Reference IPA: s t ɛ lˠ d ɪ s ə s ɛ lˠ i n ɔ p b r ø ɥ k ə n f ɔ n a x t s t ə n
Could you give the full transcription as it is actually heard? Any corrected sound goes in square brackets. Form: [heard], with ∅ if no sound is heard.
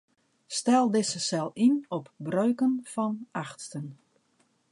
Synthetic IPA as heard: s t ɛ lˠ d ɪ s ə s ɛ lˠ i n ɔ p b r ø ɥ k ə n f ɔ n a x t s t ə n